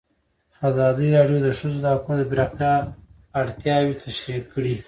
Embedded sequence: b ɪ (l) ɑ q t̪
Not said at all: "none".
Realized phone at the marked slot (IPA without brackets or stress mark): ɾ